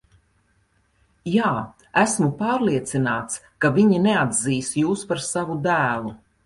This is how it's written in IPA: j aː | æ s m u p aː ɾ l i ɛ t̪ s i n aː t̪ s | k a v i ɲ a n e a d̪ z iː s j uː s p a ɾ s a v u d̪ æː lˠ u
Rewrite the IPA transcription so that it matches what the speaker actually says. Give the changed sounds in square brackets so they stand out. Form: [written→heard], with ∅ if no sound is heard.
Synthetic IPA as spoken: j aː | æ s m u p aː ɾ l i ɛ t̪ s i n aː t̪ s | k a v i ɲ [a→i] n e a d̪ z iː s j uː s p a ɾ s a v u d̪ æː lˠ u

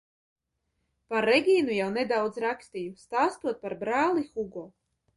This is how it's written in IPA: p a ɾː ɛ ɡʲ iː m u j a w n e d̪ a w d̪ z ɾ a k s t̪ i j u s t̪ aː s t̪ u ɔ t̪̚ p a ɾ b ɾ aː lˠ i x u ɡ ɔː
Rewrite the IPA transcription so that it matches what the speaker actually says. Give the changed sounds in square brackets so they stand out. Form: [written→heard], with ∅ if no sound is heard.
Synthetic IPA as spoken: p a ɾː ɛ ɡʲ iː [m→n] u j a w n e d̪ a w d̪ z ɾ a k s t̪ i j u s t̪ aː s t̪ u ɔ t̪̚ p a ɾ b ɾ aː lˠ i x u ɡ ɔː

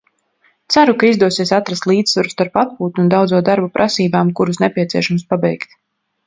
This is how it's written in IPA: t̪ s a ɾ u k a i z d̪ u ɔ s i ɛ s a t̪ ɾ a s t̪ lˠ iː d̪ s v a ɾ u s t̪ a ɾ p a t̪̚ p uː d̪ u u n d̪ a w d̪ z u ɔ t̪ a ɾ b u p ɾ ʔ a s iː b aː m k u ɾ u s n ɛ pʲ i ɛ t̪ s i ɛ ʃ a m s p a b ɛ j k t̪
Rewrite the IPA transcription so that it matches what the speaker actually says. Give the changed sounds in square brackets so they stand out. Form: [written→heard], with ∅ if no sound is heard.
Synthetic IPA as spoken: t̪ s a ɾ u k a i z d̪ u ɔ s i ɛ s a t̪ ɾ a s t̪ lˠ iː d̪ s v a ɾ u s t̪ a ɾ p a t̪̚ p uː [d̪→t̪] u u n d̪ a w d̪ z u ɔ [t̪→d̪] a ɾ b u p ɾ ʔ a s iː b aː m k u ɾ u s n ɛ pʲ i ɛ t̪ s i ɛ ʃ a m s p a b ɛ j k t̪

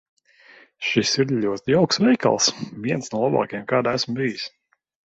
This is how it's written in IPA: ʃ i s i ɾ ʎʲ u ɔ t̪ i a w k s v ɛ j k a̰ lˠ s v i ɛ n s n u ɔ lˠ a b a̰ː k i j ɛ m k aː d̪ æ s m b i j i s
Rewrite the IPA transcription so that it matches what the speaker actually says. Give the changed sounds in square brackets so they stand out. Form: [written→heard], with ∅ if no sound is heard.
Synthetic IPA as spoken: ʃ i s i ɾ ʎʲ u ɔ t̪ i a w k s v ɛ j k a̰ lˠ s v i ɛ n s n u ɔ lˠ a b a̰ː k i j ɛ m k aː d̪ æ s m b i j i s

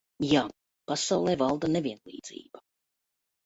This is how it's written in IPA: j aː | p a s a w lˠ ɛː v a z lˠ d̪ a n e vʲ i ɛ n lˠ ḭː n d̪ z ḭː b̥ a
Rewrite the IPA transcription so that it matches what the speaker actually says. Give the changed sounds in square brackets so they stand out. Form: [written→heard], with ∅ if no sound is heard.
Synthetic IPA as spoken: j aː | p a s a w lˠ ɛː v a [z→∅] lˠ d̪ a n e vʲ i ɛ n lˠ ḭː [n→∅] d̪ z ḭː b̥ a

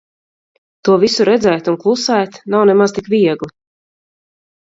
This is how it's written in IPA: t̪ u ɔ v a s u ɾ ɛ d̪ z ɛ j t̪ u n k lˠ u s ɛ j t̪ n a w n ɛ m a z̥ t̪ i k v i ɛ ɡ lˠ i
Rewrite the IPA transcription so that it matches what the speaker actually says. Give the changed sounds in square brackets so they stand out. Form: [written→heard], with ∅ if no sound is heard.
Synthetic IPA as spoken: t̪ u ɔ v [a→i] s u ɾ ɛ d̪ z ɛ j t̪ u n k lˠ u s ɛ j t̪ n a w n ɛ m a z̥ t̪ i k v i ɛ ɡ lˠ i

